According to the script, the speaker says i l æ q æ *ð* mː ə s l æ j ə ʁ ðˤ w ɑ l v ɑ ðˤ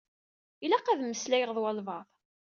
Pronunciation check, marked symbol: correct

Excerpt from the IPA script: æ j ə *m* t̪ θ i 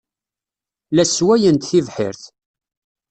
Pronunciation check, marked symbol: incorrect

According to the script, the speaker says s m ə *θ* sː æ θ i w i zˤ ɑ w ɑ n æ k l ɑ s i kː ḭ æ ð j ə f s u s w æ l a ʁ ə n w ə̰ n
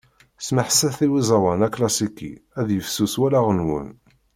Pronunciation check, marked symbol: incorrect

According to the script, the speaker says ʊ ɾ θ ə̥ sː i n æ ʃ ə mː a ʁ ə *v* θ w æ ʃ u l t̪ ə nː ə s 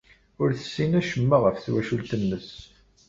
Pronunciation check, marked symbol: incorrect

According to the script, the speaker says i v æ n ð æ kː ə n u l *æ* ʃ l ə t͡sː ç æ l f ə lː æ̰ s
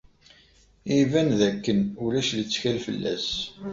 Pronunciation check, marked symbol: correct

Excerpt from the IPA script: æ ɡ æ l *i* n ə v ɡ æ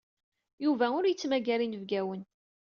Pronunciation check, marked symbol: correct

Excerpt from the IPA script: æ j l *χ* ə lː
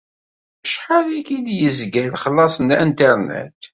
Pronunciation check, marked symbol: correct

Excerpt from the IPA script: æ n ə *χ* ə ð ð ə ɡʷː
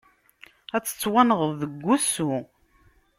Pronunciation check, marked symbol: incorrect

